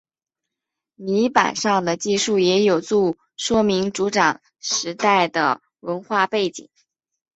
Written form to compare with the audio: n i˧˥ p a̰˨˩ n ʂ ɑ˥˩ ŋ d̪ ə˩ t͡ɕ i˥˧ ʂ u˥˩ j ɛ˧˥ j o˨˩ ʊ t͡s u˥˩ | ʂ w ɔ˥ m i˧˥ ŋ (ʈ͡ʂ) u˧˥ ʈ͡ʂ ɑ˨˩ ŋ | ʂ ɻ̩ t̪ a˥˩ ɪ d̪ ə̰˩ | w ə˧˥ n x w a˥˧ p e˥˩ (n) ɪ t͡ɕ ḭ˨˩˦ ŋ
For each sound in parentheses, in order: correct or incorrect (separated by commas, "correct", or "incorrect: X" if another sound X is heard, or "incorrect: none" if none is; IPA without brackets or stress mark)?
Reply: correct, incorrect: none